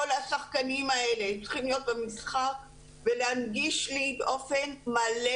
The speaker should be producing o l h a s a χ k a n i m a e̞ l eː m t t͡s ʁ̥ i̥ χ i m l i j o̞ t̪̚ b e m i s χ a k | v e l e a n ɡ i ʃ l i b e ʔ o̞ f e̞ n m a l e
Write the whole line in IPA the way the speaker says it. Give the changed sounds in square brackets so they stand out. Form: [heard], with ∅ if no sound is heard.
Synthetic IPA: o l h a s a χ k a n i m a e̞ l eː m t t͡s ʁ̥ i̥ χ i m l i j o̞ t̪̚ b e m i s χ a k | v e l e a n ɡ i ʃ l i b e ʔ o̞ f e̞ n m a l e

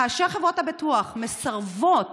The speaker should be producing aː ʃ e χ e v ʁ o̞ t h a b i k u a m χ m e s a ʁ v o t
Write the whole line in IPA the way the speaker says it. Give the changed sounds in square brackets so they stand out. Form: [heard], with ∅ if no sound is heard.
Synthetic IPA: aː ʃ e χ e v ʁ o̞ t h a b i [t] u a [∅] χ m e s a ʁ v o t

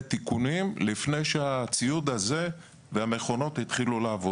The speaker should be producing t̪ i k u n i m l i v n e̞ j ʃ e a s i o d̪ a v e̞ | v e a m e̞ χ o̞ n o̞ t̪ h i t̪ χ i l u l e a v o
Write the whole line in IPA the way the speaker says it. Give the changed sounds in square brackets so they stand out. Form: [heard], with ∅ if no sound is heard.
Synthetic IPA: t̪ i k u n i m l i [f] n e̞ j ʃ e a [t͡s] i [u] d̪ a [z] e̞ | v e a m e̞ χ o̞ n o̞ t̪ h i t̪ χ i l u l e a v o

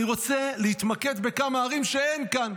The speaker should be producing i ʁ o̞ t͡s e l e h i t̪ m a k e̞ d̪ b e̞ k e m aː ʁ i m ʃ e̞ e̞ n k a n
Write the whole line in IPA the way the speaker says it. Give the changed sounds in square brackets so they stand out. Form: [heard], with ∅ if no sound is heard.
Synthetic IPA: i ʁ o̞ t͡s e l e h i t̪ m a k e̞ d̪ b e̞ k [a] m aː ʁ i m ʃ e̞ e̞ n k a n

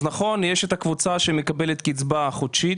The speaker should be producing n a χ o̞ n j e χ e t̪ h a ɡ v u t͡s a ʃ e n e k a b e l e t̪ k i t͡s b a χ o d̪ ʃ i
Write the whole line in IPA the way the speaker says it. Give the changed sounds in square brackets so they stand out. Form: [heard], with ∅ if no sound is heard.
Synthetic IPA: n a χ o̞ n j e [ʃ] e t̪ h a [k] v u t͡s a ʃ e [m] e k a b e l e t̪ k i t͡s b a χ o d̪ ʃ i

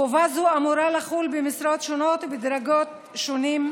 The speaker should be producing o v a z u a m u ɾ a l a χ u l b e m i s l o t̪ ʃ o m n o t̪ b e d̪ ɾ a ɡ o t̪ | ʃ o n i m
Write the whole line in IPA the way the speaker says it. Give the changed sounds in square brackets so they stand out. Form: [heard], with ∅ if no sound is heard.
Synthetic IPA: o v a z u a m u ɾ a l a χ u l b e m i s [ɾ] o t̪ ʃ o [∅] n o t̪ b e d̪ ɾ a ɡ o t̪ | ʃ o n i m

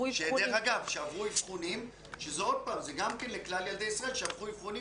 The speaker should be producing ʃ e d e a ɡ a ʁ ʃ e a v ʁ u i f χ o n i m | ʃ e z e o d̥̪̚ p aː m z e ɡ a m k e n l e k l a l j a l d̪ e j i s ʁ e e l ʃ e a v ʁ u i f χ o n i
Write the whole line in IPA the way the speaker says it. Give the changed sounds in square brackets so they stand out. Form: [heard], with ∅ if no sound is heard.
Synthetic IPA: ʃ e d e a ɡ a [v] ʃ e a v ʁ u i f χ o n i m | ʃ e z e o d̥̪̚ p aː m z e ɡ a m k e n l e k l a l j a l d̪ e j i s ʁ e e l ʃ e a v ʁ u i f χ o n i

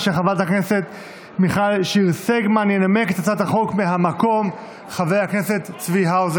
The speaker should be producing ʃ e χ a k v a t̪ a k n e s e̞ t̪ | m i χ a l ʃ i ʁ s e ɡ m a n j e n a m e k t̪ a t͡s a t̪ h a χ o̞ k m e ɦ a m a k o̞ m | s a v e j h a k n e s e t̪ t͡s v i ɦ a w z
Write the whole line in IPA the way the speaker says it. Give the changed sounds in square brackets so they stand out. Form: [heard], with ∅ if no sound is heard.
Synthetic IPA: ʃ e χ a [∅] v a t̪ a k n e s e̞ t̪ | m i χ a l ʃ i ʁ s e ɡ m a n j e n a m e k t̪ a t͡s a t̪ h a χ o̞ k m e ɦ a m a k o̞ m | [χ] a v e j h a k n e s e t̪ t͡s v i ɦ a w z

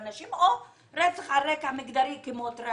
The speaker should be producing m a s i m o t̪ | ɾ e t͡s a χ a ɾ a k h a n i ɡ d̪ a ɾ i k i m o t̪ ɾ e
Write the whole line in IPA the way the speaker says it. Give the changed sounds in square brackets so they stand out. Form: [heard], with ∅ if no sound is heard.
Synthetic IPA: [n] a [ʃ] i m o [∅] | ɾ e t͡s a χ a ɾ [e] k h a [m] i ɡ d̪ a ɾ i k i m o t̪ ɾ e

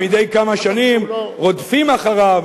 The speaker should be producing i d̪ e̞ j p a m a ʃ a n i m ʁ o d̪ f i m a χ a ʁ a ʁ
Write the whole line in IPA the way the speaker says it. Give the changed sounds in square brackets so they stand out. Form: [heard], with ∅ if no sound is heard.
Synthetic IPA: i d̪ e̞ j [k] a m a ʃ a n i m ʁ o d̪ f i m a χ a ʁ a [v]

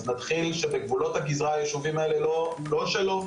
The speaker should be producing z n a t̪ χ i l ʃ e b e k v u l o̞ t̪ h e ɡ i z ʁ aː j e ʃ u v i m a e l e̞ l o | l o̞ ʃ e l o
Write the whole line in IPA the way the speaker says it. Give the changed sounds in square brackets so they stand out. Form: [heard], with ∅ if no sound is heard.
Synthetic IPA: z n a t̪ χ i l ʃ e b e [ɡ] v u l o̞ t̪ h [a] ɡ i z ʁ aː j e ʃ u v i m a e l e̞ l o | l o̞ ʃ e l o

